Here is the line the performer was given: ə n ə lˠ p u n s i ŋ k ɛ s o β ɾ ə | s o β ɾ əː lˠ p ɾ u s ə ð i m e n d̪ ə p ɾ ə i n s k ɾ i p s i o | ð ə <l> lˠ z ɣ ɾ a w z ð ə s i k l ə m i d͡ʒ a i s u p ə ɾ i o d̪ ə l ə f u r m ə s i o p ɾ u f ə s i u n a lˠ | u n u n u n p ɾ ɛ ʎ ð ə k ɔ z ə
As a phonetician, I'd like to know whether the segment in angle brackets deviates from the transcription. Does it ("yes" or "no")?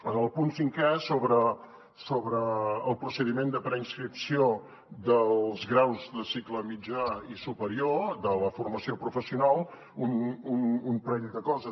no